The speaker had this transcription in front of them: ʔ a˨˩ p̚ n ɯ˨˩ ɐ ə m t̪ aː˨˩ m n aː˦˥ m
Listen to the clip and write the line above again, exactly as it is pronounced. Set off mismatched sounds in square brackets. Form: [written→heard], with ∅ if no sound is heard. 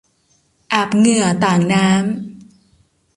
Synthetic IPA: ʔ a˨˩ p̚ [n→ŋ] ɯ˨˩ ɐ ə [m→∅] t̪ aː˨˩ [m→ŋ] n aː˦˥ m